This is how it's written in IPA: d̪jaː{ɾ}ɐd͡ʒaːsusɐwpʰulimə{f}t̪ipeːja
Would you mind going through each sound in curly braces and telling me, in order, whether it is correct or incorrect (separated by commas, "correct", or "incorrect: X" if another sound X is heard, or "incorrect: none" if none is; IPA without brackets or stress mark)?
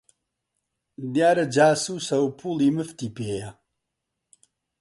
correct, correct